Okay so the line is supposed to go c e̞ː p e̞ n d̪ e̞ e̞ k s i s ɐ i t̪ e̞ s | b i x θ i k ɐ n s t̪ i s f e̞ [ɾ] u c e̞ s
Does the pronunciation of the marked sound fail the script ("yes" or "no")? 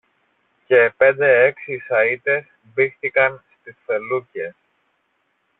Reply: yes